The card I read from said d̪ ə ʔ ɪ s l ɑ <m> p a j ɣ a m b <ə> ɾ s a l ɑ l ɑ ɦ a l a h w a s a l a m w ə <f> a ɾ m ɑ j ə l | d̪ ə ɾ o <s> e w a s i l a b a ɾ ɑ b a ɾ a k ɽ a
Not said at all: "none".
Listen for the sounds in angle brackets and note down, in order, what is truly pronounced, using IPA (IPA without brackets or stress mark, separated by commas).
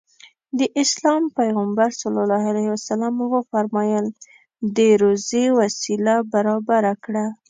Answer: m, a, f, z